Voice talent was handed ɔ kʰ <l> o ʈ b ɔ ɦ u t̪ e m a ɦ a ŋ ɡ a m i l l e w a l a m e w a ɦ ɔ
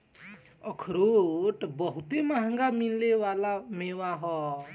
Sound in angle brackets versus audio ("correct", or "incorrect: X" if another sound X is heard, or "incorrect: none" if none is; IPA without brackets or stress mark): incorrect: ɾ